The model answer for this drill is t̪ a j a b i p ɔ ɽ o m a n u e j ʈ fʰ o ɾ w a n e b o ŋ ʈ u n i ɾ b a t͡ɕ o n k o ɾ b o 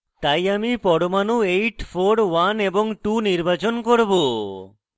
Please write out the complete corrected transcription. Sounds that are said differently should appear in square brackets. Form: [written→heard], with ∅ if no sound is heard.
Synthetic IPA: t̪ a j a [b→m] i p ɔ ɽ o m a n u e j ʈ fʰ o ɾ w a n e b o ŋ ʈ u n i ɾ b a t͡ɕ o n k o ɾ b o